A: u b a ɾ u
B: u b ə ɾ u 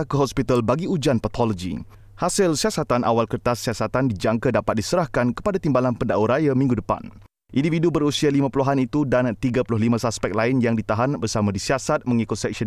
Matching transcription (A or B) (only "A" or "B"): B